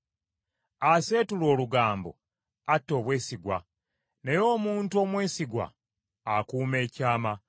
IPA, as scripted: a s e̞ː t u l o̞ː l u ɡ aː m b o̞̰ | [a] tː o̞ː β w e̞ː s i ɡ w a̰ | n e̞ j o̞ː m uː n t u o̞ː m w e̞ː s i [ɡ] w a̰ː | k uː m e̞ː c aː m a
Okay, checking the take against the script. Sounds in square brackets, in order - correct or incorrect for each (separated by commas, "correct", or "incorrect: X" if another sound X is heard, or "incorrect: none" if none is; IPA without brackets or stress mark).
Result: correct, correct